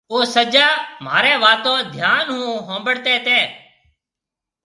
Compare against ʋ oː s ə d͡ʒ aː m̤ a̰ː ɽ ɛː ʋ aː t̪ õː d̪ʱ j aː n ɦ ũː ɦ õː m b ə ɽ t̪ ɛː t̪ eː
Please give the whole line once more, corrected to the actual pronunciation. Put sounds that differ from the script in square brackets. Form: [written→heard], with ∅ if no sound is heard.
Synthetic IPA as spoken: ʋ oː s ə d͡ʒ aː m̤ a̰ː [ɽ→ɾ] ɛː ʋ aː t̪ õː d̪ʱ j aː n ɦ ũː ɦ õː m b ə ɽ t̪ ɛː t̪ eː